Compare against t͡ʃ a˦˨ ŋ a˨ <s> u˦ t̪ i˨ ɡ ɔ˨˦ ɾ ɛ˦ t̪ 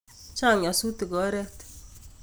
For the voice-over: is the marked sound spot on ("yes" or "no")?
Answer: yes